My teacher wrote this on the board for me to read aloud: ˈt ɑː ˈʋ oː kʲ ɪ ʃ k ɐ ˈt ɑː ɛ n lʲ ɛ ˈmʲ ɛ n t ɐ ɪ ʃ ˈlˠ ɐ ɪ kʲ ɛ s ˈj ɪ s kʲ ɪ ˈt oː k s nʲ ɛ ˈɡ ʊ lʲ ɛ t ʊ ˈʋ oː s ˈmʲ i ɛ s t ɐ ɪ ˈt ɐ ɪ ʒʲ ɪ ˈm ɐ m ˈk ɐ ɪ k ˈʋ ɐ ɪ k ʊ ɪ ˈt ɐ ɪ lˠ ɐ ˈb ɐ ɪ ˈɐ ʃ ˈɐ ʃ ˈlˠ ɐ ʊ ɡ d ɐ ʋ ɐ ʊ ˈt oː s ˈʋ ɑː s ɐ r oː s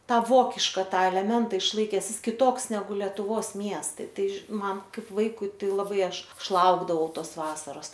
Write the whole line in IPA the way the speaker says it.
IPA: ˈt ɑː ˈʋ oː kʲ ɪ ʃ k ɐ ˈt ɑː ɛ lʲ ɛ ˈmʲ ɛ n t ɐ ɪ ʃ ˈlˠ ɐ ɪ kʲ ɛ s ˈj ɪ s kʲ ɪ ˈt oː k s nʲ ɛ ˈɡ ʊ lʲ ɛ t ʊ ˈʋ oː s ˈmʲ i ɛ s t ɐ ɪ ˈt ɐ ɪ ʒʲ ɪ ˈm ɐ n ˈk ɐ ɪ p ˈʋ ɐ ɪ k ʊ ɪ ˈt ɐ ɪ lˠ ɐ ˈb ɐ ɪ ˈɐ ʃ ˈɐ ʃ ˈlˠ ɐ ʊ ɡ d ɐ ʋ ɐ ʊ ˈt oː s ˈʋ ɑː s ɐ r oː s